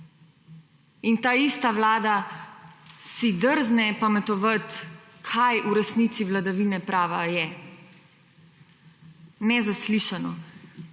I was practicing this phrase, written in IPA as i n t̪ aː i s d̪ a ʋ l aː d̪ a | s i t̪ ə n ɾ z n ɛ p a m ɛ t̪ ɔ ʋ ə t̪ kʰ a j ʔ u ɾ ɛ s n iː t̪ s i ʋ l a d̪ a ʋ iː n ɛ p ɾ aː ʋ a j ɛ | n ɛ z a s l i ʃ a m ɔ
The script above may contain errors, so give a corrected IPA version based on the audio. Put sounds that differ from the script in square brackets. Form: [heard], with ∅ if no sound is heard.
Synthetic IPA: i n t̪ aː i s [t̪] a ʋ l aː d̪ a | s i [d̪] ə [∅] ɾ z n ɛ p a m ɛ t̪ ɔ ʋ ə t̪ kʰ a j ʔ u ɾ ɛ s n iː t̪ s i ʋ l a d̪ a ʋ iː n ɛ p ɾ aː ʋ a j ɛ | n ɛ z a s l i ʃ a [n] ɔ